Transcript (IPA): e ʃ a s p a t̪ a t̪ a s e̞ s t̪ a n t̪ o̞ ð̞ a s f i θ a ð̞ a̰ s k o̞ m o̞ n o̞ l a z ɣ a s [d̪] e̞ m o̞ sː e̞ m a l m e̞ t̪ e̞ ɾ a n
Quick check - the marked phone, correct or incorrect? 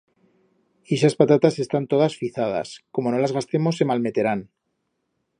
incorrect